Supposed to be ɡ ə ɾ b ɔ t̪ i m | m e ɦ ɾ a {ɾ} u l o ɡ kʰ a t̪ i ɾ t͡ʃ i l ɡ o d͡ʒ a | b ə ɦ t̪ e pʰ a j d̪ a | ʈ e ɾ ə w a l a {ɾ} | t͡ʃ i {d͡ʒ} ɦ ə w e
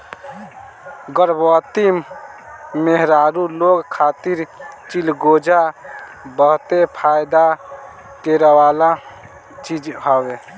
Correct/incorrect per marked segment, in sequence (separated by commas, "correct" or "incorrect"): correct, incorrect, correct